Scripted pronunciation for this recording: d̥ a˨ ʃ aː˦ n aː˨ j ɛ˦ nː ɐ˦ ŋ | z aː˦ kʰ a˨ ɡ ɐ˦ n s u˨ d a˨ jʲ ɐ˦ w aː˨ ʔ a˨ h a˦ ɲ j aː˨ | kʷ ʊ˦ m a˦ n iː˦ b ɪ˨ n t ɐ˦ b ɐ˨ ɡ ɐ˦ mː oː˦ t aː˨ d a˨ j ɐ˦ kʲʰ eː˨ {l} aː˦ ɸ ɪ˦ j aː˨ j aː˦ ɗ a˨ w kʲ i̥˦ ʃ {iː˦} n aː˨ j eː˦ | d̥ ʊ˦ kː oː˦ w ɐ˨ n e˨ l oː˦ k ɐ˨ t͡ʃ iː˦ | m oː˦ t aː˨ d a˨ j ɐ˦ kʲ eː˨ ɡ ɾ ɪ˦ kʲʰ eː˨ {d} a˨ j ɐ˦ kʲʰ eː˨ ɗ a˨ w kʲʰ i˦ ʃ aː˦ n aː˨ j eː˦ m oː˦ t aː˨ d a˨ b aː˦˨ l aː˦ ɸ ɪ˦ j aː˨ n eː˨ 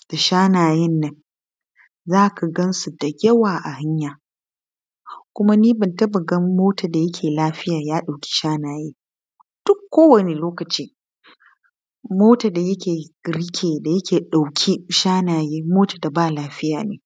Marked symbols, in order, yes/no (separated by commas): yes, no, yes